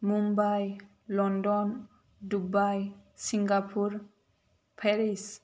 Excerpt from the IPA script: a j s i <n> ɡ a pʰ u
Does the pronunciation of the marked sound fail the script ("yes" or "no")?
yes